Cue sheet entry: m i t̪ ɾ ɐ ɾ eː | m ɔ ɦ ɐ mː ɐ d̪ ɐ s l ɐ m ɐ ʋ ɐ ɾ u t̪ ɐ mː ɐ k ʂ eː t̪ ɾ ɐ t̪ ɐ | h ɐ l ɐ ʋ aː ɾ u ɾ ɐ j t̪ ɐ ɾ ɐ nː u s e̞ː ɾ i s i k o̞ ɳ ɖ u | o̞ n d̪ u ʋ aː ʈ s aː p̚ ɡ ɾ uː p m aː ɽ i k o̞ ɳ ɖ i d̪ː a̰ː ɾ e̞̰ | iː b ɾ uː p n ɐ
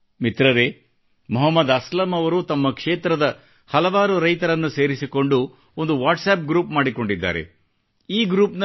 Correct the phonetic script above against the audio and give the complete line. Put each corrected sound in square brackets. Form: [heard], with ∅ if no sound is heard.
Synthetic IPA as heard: m i t̪ ɾ ɐ ɾ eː | m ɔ ɦ ɐ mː ɐ d̪ ɐ s l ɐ m ɐ ʋ ɐ ɾ u t̪ ɐ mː ɐ k ʂ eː t̪ ɾ ɐ [d̪] ɐ | h ɐ l ɐ ʋ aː ɾ u ɾ ɐ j t̪ ɐ ɾ ɐ nː u s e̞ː ɾ i s i k o̞ ɳ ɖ u | o̞ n d̪ u ʋ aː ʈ s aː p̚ ɡ ɾ uː p m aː ɽ i k o̞ ɳ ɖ i d̪ː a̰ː ɾ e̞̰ | iː [ɡ] ɾ uː p n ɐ

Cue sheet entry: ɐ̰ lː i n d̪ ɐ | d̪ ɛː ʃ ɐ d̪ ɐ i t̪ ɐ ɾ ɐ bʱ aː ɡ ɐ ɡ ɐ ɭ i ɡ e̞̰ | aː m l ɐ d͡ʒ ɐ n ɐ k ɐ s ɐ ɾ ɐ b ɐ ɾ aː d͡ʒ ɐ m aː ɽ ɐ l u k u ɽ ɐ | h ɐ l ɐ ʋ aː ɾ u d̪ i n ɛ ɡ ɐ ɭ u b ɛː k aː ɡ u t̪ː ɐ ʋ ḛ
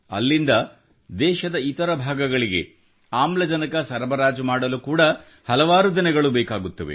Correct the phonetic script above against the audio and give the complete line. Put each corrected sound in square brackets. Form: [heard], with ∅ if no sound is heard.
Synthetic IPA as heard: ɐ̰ lː i n d̪ ɐ | d̪ ɛː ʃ ɐ d̪ ɐ i t̪ ɐ ɾ ɐ bʱ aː ɡ ɐ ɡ ɐ ɭ i ɡ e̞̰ | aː m l ɐ d͡ʒ ɐ n ɐ k ɐ s ɐ ɾ ɐ b ɐ ɾ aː d͡ʒ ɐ m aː ɽ ɐ l u k [uː] ɽ ɐ | h ɐ l ɐ ʋ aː ɾ u d̪ i n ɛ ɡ ɐ ɭ u b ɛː k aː ɡ u t̪ː ɐ ʋ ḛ

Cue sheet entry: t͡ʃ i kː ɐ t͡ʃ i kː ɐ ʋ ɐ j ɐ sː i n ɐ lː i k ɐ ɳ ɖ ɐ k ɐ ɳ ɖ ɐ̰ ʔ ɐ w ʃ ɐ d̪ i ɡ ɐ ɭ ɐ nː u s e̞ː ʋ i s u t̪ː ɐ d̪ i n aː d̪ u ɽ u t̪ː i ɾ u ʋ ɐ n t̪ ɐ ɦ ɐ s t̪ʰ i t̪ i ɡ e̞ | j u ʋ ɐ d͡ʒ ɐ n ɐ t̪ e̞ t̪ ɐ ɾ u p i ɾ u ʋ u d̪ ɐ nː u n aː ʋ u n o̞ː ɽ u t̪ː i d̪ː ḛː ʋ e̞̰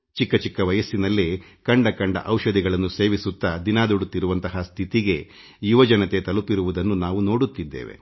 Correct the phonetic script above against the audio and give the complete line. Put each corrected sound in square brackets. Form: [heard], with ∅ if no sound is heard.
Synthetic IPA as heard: t͡ʃ i kː ɐ t͡ʃ i kː ɐ ʋ ɐ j ɐ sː i n ɐ lː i k ɐ ɳ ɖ ɐ k ɐ ɳ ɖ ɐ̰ ʔ ɐ w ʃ ɐ d̪ i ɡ ɐ ɭ ɐ nː u s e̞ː ʋ i s u t̪ː ɐ d̪ i n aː d̪ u ɽ u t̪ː i ɾ u ʋ ɐ n t̪ ɐ ɦ ɐ s t̪ʰ i t̪ i ɡ e̞ | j u ʋ ɐ d͡ʒ ɐ n ɐ t̪ e̞ t̪ ɐ [l] u p i ɾ u ʋ u d̪ ɐ nː u n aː ʋ u n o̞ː ɽ u t̪ː i d̪ː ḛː ʋ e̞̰

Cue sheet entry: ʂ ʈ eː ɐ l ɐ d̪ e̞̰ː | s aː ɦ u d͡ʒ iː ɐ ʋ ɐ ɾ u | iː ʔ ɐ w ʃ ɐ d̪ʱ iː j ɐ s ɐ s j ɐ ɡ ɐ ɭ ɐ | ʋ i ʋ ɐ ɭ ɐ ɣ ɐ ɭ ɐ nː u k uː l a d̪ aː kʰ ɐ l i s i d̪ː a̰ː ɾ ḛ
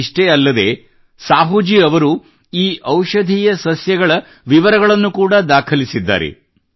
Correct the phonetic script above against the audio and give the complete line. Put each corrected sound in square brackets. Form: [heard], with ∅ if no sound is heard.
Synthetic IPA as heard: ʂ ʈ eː ɐ [lː] ɐ d̪ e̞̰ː | s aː ɦ u d͡ʒ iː ɐ ʋ ɐ ɾ u | iː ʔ ɐ w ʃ ɐ d̪ʱ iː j ɐ s ɐ s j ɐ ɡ ɐ ɭ ɐ | ʋ i ʋ ɐ [ɾ] ɐ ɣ ɐ ɭ ɐ nː u k uː [ɽ] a d̪ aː kʰ ɐ l i s i d̪ː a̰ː ɾ ḛ

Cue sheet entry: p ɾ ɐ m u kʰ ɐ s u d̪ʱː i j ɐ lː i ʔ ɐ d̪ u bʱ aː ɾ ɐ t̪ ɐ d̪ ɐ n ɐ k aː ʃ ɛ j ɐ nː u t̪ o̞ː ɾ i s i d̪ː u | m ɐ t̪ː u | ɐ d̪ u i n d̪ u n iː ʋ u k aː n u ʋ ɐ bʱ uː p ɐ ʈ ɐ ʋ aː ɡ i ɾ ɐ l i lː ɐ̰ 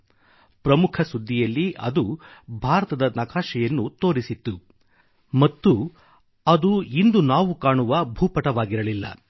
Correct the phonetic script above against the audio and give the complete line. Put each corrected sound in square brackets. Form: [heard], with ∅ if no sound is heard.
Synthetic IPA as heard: p ɾ ɐ m u kʰ ɐ s u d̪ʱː i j ɐ lː i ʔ ɐ d̪ u bʱ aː ɾ ɐ t̪ ɐ d̪ ɐ n ɐ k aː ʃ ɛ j ɐ nː u t̪ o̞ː ɾ i s i [t̪ː] u | m ɐ t̪ː u | ɐ d̪ u i n d̪ u n [aː] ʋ u k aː [ɳ] u ʋ ɐ bʱ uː p ɐ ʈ ɐ ʋ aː ɡ i ɾ ɐ l i lː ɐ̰

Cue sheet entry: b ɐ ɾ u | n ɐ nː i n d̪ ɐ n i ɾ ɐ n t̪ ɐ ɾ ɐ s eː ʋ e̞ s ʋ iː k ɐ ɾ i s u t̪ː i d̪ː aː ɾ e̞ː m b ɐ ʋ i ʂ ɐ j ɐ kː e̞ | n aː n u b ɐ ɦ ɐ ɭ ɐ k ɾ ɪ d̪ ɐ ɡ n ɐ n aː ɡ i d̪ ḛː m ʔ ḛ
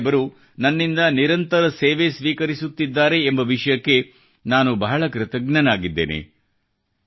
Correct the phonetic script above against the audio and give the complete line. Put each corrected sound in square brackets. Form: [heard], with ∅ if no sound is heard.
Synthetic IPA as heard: b ɐ ɾ u | n ɐ nː i n d̪ ɐ n i ɾ ɐ n t̪ ɐ ɾ ɐ s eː ʋ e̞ s ʋ iː k ɐ ɾ i s u t̪ː i d̪ː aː ɾ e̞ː m b ɐ ʋ i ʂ ɐ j ɐ kː e̞ | n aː n u b ɐ ɦ ɐ ɭ ɐ k ɾ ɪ [t̪] ɐ ɡ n ɐ n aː ɡ i [d̪ː] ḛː [n] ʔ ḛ

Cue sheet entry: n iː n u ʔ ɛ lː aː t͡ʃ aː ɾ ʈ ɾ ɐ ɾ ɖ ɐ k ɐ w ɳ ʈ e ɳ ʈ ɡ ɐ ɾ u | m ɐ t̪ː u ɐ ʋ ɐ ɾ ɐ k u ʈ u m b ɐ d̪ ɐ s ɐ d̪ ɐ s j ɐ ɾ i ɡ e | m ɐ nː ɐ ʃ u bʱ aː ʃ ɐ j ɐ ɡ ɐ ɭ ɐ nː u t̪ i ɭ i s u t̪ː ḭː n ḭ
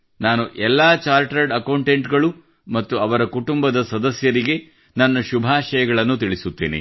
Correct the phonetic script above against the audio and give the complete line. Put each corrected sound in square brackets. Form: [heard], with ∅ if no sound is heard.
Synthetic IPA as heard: n [aː] n u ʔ ɛ lː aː t͡ʃ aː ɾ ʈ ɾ ɐ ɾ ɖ ɐ k ɐ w ɳ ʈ e ɳ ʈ ɡ ɐ [ɭ] u | m ɐ t̪ː u ɐ ʋ ɐ ɾ ɐ k u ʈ u m b ɐ d̪ ɐ s ɐ d̪ ɐ s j ɐ ɾ i ɡ e | [n] ɐ nː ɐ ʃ u bʱ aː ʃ ɐ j ɐ ɡ ɐ ɭ ɐ nː u t̪ i ɭ i s u t̪ː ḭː n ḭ

